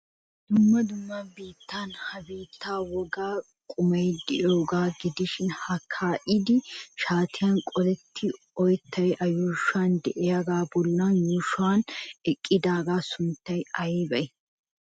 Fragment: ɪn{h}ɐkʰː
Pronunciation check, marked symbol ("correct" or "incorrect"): correct